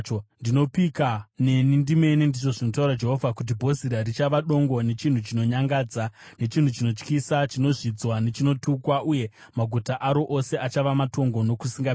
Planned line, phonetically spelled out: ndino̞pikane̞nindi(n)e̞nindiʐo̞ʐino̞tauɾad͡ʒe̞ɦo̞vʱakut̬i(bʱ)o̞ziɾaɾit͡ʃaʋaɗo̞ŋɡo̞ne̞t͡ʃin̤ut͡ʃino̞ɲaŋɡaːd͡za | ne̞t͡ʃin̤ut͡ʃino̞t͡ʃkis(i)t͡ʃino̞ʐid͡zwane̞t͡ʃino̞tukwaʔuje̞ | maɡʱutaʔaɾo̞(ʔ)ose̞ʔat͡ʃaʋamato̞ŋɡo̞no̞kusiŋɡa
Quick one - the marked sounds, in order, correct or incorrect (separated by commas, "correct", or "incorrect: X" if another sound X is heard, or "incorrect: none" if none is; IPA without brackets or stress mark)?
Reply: incorrect: m, correct, incorrect: a, correct